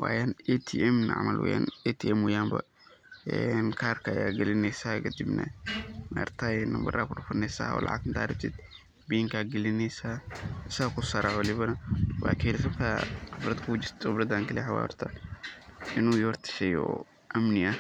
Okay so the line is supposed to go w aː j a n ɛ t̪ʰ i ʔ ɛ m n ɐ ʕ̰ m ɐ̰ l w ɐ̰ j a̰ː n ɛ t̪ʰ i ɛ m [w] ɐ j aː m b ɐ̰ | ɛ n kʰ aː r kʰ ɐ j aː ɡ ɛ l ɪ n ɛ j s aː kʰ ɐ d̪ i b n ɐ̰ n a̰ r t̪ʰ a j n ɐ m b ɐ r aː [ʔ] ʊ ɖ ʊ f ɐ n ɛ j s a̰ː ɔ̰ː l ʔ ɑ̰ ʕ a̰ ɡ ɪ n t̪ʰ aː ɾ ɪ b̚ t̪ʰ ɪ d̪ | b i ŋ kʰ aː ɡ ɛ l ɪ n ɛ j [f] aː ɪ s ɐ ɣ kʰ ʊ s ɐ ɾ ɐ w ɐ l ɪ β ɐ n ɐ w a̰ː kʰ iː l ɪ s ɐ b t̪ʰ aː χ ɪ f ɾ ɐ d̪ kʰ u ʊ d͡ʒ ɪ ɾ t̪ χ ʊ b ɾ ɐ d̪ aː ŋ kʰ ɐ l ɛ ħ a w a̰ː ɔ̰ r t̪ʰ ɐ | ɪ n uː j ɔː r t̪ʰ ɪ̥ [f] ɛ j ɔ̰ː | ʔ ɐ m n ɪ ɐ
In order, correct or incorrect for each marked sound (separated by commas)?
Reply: correct, incorrect, incorrect, incorrect